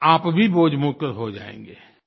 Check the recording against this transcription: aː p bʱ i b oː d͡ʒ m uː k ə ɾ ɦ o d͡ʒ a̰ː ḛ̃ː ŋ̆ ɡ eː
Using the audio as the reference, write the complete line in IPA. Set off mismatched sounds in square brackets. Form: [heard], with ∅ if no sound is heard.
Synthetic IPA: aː p bʱ i b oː d͡ʒ m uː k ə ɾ ɦ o d͡ʒ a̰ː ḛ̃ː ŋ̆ ɡ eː

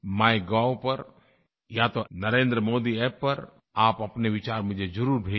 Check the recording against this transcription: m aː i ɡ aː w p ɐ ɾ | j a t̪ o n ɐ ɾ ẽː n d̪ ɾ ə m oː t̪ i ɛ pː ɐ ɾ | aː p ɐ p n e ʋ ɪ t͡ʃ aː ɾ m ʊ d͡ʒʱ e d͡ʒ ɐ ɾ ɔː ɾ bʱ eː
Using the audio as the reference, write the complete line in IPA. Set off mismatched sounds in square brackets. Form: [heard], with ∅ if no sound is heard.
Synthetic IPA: m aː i ɡ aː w p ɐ ɾ | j a t̪ o n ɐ ɾ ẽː n d̪ ɾ ə m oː [d̪] i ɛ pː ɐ ɾ | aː p ɐ p n e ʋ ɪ t͡ʃ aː ɾ m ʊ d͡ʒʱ e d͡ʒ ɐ ɾ [uː] ɾ bʱ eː

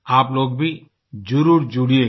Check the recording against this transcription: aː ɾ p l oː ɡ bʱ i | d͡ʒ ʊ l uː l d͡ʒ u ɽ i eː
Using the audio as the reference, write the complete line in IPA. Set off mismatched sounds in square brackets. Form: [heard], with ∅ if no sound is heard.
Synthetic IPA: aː [∅] p l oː ɡ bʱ i | d͡ʒ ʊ [ɾ] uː [ɾ] d͡ʒ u ɽ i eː

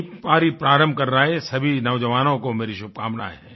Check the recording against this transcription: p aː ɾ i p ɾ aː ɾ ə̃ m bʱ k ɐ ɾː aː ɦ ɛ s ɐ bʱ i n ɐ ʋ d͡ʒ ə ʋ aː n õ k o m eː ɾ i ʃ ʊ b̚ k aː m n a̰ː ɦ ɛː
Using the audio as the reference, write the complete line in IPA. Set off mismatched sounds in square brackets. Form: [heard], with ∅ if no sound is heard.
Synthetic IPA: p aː ɾ i p ɾ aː ɾ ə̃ m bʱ k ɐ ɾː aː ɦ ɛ s ɐ bʱ i n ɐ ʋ d͡ʒ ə ʋ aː n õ k o m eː ɾ i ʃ ʊ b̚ k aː m n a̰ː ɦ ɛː

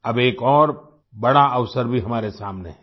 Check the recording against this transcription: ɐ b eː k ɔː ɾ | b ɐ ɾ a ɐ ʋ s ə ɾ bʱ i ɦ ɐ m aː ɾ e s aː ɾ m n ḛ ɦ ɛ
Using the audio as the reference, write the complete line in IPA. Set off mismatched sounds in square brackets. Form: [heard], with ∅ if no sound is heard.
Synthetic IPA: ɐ b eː k ɔː ɾ | b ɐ [ɽ] a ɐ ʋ s ə ɾ bʱ i ɦ ɐ m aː ɾ e s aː [∅] m n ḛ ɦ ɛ

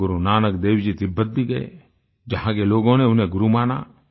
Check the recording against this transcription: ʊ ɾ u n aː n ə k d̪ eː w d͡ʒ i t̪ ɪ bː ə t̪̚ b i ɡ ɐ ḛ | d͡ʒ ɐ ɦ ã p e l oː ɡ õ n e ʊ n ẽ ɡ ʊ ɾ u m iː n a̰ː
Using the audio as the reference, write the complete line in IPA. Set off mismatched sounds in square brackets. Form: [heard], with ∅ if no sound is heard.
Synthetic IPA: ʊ ɾ u n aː n ə k d̪ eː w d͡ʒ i t̪ ɪ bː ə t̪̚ b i ɡ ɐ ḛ | d͡ʒ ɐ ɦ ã [k] e l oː ɡ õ n e ʊ n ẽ ɡ ʊ ɾ u m [aː] n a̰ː

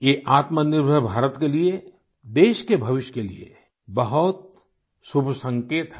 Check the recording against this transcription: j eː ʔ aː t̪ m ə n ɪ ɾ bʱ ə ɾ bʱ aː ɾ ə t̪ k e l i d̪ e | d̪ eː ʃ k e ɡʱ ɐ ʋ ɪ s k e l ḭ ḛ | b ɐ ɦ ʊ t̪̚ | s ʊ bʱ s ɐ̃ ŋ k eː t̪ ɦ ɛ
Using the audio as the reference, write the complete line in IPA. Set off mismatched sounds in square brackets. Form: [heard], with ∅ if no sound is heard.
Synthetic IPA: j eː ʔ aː t̪ m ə n ɪ ɾ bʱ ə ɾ bʱ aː ɾ ə t̪ k e l i [∅] e | d̪ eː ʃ k e [bʱ] ɐ ʋ ɪ [ʃ] k e l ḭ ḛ | b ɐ ɦ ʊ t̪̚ | s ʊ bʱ s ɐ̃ ŋ k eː t̪ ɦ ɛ

